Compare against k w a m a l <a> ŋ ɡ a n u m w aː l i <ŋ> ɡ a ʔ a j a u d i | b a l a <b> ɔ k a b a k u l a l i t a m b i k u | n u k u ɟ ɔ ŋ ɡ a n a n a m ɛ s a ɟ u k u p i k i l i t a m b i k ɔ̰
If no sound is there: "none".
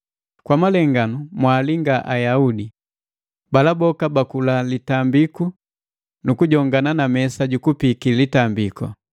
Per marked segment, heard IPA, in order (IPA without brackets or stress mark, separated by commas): ɛ, ŋ, b